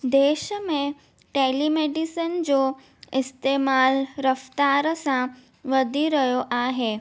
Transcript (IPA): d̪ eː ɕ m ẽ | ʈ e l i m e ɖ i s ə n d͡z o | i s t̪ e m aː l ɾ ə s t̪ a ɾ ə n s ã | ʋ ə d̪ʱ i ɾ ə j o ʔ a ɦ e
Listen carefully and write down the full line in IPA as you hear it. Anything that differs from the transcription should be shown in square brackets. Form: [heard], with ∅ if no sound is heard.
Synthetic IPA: d̪ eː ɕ m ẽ | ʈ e l i m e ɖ i s ə n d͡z o | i s t̪ e m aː l ɾ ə [f] t̪ a ɾ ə [∅] s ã | ʋ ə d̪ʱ i ɾ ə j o ʔ a ɦ e